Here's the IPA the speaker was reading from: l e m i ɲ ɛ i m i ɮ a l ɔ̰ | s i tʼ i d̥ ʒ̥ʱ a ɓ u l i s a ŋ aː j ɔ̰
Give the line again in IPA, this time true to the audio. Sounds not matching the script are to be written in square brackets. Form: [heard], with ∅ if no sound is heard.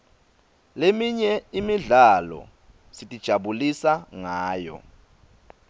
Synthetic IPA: l e m i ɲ ɛ i m i ɮ a l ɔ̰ | s i tʼ i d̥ ʒ̥ʱ a ɓ u l i s a ŋ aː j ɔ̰